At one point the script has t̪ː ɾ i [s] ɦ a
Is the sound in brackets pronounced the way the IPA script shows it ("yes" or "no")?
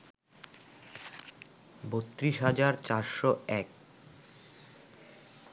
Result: no